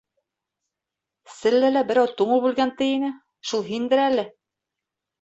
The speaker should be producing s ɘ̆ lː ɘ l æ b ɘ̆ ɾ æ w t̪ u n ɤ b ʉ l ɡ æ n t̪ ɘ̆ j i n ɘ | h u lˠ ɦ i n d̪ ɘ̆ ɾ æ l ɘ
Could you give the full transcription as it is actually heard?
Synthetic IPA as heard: s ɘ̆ lː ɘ l æ b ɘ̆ ɾ æ w t̪ u ɴ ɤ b ʉ l ɡ æ n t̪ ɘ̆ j i n ɘ | ʃ u lˠ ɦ i n d̪ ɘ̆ ɾ æ l ɘ